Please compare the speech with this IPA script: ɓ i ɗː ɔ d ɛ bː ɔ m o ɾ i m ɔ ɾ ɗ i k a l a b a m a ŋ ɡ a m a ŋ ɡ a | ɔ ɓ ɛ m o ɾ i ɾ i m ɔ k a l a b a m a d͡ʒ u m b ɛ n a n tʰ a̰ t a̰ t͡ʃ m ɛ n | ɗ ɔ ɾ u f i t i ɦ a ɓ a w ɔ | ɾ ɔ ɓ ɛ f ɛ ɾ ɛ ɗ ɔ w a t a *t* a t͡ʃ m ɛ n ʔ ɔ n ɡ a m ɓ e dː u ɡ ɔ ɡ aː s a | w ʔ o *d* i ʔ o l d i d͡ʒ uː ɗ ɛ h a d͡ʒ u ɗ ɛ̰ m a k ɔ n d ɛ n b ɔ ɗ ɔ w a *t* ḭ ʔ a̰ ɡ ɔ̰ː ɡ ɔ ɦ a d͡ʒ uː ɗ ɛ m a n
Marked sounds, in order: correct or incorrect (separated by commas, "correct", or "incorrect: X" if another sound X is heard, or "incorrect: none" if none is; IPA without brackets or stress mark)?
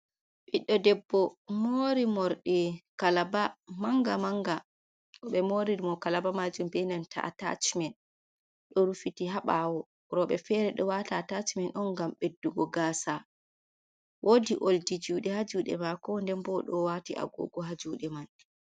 correct, correct, correct